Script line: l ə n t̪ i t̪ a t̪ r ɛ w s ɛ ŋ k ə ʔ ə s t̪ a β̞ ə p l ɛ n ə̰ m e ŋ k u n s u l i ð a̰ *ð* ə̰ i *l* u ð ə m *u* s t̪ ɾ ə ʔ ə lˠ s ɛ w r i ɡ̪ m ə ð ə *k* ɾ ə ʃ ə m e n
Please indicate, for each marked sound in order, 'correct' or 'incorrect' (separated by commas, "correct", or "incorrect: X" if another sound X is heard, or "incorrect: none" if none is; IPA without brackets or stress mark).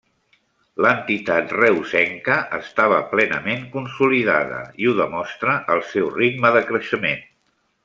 correct, incorrect: none, incorrect: ɔ, correct